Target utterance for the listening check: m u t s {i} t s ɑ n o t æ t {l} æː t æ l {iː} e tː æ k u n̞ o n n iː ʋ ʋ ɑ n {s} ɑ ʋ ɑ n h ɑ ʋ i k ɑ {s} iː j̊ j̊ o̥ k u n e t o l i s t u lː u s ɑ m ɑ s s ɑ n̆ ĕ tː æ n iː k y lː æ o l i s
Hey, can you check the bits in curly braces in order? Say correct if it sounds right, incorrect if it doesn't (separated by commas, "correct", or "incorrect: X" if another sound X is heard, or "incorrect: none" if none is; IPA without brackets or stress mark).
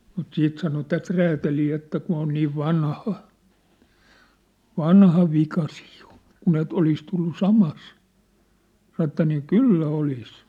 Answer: incorrect: iː, incorrect: r, correct, incorrect: h, correct